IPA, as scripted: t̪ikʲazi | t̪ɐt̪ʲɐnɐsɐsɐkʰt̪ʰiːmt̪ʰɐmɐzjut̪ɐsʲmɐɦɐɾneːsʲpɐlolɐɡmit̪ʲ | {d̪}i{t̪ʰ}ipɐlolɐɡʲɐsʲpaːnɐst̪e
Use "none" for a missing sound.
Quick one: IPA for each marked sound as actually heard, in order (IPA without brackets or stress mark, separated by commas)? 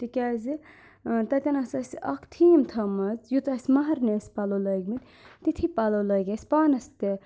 t̪, t̪ʰ